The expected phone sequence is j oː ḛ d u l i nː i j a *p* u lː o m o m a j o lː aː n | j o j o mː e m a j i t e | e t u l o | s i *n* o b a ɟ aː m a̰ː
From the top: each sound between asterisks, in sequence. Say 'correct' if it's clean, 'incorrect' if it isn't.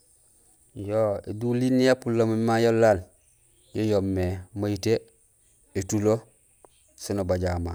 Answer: correct, correct

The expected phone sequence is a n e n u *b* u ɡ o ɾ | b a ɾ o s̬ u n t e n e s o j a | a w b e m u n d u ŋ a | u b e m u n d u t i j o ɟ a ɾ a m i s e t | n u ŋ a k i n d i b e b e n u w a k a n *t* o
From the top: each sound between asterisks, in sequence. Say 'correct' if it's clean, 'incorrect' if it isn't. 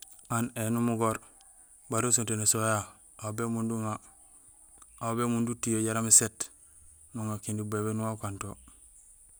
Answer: incorrect: m, correct

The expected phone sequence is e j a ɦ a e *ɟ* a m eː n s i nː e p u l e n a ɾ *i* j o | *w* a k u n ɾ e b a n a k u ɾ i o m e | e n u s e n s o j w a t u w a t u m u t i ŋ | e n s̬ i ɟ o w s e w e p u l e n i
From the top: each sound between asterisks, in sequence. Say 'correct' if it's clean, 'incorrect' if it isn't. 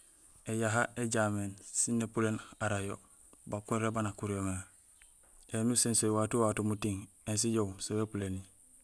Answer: correct, incorrect: a, incorrect: b

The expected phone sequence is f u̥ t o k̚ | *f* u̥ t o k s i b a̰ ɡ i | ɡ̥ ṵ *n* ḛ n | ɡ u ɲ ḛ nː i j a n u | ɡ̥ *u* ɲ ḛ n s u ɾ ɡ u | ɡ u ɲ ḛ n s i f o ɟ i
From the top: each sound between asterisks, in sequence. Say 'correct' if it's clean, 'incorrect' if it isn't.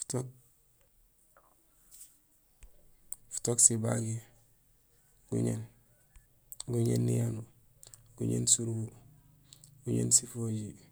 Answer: correct, incorrect: ɲ, correct

